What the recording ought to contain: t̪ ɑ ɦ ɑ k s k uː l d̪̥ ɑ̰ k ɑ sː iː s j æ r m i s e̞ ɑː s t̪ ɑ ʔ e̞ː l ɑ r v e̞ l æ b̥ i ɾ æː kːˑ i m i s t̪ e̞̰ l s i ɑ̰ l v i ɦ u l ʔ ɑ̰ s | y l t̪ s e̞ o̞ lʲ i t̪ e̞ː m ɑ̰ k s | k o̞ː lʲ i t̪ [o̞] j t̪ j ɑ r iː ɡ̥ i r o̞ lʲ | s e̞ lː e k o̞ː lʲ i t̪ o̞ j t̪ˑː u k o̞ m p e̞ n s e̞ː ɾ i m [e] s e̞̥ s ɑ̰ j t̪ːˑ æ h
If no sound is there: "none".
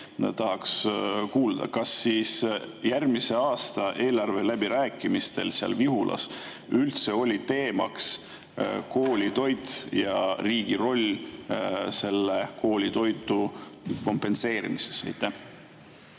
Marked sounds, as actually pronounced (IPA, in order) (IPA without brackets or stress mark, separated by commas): o̞, i